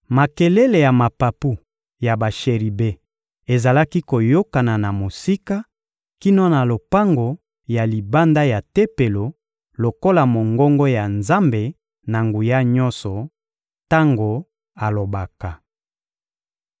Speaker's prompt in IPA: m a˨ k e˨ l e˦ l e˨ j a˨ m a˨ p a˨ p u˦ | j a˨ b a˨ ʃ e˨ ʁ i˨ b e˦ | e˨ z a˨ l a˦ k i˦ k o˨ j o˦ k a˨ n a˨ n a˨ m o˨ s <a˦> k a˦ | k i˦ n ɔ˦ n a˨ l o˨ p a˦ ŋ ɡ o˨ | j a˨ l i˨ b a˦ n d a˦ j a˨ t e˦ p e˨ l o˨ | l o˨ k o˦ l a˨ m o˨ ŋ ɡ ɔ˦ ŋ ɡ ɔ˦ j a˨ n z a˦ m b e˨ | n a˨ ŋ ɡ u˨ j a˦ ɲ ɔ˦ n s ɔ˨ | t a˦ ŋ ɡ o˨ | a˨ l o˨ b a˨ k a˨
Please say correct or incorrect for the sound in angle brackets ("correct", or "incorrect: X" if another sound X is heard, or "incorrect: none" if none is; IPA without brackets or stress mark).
incorrect: i˦